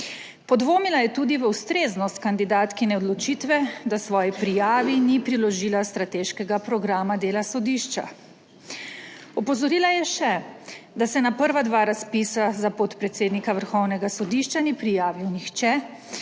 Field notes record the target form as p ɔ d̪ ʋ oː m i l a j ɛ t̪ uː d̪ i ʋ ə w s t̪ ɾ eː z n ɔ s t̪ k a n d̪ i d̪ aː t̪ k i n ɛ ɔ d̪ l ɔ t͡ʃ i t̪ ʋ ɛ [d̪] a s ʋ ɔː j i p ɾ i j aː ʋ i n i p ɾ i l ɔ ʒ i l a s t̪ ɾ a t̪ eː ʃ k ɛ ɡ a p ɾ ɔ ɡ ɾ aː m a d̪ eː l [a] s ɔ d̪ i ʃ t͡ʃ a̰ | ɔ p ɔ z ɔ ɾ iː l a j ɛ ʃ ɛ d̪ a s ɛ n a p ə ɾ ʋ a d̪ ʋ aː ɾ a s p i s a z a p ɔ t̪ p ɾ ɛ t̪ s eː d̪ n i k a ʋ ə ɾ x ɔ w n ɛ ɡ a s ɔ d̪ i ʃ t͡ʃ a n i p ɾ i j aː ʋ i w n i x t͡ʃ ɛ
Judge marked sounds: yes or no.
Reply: yes, yes

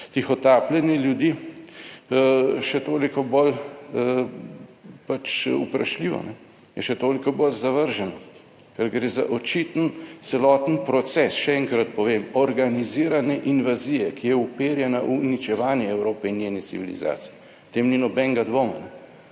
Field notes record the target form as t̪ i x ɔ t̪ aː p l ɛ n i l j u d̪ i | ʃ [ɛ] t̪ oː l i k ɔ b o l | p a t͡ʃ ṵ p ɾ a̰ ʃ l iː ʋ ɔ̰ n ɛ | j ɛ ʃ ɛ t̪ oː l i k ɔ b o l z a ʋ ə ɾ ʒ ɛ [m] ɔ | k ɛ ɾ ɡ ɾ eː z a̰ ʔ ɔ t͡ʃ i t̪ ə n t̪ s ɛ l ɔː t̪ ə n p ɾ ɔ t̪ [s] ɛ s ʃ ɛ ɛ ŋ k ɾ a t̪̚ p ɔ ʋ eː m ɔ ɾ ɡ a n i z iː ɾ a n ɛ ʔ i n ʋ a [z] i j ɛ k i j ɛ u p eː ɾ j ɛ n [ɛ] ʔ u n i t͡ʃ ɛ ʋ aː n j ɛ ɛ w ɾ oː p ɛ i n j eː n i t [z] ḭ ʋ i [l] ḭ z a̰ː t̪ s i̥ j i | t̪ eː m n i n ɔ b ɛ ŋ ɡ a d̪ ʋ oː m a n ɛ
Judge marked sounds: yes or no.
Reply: yes, no, yes, yes, no, no, yes

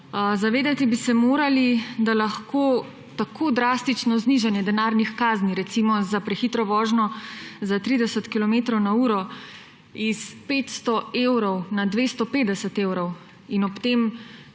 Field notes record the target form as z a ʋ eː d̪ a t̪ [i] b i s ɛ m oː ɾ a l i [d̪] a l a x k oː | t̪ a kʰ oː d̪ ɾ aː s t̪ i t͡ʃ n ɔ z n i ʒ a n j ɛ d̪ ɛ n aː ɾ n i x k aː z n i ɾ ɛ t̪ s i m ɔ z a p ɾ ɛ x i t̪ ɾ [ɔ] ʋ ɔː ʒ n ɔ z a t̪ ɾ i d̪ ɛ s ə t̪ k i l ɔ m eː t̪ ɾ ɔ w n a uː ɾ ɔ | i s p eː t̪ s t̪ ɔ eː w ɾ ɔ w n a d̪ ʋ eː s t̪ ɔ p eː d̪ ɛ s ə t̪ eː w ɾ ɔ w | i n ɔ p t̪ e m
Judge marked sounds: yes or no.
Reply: yes, yes, yes

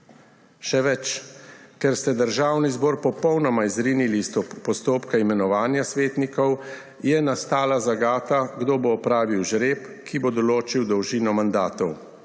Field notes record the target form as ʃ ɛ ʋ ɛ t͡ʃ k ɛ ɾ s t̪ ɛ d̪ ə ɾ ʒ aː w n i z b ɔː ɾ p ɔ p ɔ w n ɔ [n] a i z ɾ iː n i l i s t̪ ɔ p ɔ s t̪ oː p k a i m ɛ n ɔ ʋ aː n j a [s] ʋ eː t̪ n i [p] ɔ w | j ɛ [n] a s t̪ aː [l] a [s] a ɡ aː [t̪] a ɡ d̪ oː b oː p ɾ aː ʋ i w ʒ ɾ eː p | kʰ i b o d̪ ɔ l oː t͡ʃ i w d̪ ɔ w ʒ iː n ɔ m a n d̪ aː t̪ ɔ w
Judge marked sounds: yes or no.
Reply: no, yes, no, yes, yes, no, yes

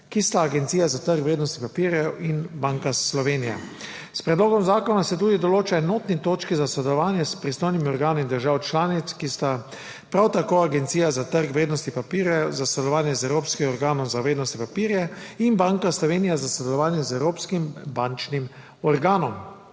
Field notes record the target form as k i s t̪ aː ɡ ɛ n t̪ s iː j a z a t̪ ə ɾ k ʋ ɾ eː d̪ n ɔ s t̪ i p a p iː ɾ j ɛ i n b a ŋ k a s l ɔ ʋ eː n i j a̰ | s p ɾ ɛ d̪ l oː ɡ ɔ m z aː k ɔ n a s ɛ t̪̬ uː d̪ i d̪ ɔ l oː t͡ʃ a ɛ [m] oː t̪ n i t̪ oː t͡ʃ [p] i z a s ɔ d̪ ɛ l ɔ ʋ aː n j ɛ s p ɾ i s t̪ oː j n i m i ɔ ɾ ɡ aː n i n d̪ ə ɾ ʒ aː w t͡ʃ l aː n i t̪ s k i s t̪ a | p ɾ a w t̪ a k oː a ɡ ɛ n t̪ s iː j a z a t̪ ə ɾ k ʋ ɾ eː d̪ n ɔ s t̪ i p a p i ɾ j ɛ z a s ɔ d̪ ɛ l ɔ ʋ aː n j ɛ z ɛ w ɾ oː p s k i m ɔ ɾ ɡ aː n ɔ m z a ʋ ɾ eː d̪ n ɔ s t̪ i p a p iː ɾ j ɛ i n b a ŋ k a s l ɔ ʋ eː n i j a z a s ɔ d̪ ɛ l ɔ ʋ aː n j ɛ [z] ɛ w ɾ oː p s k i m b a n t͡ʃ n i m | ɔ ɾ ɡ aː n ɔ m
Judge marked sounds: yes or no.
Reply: no, no, yes

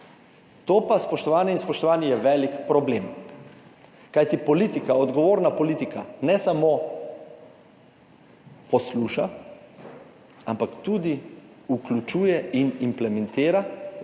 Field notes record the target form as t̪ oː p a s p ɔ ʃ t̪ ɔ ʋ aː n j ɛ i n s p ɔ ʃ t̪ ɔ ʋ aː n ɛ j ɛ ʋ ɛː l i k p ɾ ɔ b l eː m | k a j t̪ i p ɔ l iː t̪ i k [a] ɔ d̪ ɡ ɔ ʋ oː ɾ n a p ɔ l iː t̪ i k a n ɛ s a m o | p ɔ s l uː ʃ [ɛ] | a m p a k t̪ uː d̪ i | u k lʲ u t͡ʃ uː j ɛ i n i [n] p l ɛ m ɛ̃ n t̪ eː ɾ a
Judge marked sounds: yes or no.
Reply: yes, no, no

